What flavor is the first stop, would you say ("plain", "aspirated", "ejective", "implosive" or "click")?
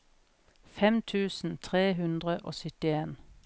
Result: aspirated